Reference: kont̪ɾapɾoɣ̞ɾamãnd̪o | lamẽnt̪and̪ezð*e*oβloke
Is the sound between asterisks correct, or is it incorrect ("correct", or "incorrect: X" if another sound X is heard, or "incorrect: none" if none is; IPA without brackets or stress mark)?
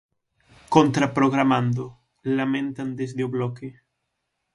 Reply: correct